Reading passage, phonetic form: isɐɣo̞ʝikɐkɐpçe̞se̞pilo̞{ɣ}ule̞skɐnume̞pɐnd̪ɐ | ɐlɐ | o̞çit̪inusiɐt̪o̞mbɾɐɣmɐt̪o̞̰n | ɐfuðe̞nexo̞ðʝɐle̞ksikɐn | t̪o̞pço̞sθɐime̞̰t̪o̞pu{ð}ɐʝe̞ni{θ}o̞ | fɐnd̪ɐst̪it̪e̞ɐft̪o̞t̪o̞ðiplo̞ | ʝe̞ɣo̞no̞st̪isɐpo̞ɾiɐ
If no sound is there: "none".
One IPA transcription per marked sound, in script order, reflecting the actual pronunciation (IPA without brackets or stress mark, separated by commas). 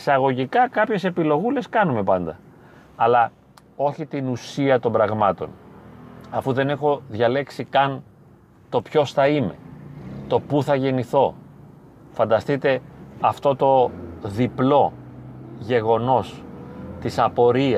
ɣ, θ, θ